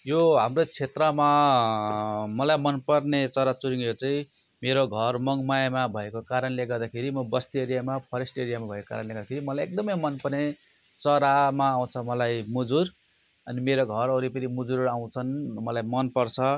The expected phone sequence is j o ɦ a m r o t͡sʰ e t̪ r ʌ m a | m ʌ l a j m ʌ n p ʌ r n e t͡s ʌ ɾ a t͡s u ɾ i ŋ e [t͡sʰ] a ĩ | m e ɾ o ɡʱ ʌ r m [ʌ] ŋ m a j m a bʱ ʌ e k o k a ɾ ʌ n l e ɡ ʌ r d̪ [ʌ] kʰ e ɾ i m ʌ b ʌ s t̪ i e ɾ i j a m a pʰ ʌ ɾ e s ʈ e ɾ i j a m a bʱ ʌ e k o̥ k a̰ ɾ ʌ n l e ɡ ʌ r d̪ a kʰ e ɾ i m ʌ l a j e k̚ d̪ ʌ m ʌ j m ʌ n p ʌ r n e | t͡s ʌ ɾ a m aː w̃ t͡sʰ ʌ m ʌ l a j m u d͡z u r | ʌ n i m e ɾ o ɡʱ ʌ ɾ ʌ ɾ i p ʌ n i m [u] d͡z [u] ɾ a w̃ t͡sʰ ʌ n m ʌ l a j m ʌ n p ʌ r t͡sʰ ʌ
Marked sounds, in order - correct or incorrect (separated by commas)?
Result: incorrect, correct, incorrect, correct, correct